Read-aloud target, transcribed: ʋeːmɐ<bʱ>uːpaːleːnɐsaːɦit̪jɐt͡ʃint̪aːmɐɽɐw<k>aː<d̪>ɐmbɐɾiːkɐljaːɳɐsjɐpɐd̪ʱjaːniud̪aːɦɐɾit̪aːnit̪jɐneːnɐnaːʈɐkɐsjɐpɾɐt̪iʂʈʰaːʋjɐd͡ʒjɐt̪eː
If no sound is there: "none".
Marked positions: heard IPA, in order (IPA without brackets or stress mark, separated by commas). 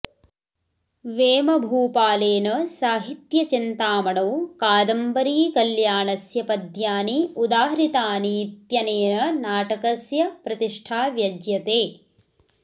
bʱ, k, d̪